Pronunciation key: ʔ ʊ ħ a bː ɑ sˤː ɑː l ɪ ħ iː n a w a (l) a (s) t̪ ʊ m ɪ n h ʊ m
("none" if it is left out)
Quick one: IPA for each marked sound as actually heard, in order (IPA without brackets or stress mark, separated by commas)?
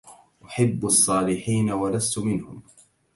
l, s